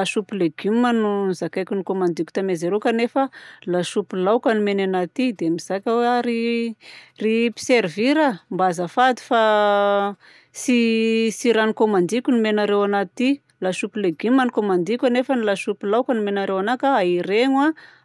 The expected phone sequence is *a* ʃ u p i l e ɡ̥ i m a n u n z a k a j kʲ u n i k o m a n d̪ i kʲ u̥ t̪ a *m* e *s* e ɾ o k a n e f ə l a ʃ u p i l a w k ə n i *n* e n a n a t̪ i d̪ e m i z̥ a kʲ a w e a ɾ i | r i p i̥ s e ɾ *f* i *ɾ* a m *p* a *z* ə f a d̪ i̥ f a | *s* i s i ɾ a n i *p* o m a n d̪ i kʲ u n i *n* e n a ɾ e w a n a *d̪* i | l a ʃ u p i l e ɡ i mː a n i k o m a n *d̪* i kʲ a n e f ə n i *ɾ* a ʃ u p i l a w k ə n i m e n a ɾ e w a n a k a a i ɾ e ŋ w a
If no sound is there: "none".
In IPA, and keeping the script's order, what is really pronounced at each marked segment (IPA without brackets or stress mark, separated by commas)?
a, m, z, m, v, ɾ, b, z, s, k, m, t̪, d̪, l